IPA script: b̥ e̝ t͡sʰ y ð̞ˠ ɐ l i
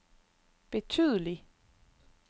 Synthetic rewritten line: b̥ e̝ t͡sʰ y ð̞ˠ ə l i